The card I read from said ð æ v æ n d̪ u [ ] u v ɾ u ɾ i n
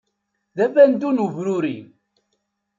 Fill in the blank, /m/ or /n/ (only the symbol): n